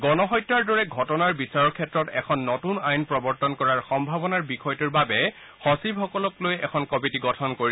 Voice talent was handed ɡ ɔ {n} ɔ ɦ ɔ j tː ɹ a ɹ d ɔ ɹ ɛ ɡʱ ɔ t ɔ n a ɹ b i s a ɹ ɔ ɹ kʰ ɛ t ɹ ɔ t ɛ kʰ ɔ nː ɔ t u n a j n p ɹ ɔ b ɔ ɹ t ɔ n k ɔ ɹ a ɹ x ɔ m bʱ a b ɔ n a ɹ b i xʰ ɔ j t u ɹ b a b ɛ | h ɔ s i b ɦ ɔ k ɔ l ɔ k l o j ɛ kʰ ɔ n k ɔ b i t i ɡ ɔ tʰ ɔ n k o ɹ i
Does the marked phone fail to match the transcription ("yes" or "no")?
no